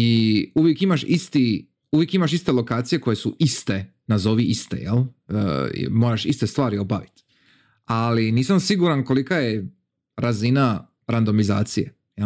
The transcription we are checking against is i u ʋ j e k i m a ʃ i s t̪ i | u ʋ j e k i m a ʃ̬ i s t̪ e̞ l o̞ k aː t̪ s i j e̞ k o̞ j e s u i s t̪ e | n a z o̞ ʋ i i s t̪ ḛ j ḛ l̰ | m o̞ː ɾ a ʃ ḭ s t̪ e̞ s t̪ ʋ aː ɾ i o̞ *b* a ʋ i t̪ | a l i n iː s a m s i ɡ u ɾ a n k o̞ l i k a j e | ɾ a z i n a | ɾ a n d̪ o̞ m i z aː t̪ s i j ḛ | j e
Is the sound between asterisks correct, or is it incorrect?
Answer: correct